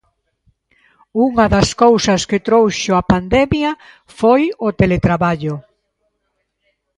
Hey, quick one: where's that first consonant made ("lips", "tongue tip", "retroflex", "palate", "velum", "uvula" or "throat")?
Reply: velum